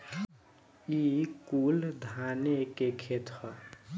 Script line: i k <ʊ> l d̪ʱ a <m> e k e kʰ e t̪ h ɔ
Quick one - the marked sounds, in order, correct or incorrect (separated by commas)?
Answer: incorrect, incorrect